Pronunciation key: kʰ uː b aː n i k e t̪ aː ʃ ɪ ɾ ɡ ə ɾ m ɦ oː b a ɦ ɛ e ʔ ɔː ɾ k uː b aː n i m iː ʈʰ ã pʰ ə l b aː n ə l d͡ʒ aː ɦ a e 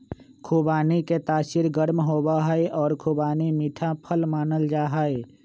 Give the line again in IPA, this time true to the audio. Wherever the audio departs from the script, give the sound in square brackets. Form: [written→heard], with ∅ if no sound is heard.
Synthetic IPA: kʰ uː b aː n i k e t̪ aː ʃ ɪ ɾ ɡ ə ɾ m ɦ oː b a ɦ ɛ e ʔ ɔː ɾ [k→kʰ] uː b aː n i m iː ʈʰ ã pʰ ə l [b→m] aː n ə l d͡ʒ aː ɦ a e